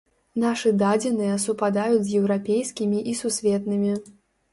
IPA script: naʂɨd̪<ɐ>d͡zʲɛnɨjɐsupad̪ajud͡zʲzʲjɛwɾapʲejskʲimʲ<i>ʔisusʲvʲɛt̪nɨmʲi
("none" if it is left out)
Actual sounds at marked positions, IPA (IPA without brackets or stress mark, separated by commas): a, i